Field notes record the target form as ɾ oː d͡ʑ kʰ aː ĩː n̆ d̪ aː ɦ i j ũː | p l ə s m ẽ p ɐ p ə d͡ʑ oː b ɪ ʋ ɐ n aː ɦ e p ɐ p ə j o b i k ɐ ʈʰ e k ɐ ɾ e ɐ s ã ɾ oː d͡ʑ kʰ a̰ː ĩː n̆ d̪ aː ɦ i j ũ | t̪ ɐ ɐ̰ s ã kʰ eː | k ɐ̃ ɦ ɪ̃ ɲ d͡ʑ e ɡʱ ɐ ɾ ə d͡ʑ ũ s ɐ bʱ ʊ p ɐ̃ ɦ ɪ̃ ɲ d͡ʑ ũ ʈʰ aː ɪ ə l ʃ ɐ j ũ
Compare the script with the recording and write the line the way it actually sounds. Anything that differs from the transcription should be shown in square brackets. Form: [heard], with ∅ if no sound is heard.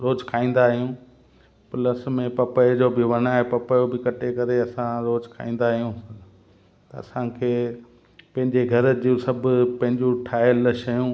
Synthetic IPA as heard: ɾ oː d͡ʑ kʰ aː ĩː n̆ d̪ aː ɦ i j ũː | p l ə s m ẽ p ɐ p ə d͡ʑ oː b ɪ ʋ ɐ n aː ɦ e p ɐ p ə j o b [ɪ] k ɐ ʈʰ e k ɐ ɾ e ɐ s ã ɾ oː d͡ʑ kʰ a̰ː ĩː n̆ d̪ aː ɦ i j ũ | t̪ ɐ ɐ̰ s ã kʰ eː | [p] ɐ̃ ɦ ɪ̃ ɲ d͡ʑ e ɡʱ ɐ ɾ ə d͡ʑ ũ s ɐ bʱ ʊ p ɐ̃ ɦ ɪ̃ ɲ d͡ʑ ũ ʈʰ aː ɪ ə l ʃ ɐ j ũ